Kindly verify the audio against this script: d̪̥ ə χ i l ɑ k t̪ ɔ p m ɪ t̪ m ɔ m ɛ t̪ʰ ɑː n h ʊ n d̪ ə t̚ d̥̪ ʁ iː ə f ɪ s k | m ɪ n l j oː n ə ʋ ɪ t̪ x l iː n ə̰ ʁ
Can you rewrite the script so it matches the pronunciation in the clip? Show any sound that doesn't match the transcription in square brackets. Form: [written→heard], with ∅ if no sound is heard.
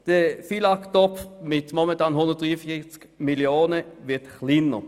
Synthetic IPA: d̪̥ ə [χ→f] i l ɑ k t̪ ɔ p m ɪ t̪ m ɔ m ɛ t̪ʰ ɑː n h ʊ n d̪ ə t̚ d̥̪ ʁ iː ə f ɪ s k | m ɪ [n→∅] l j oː n ə ʋ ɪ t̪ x l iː n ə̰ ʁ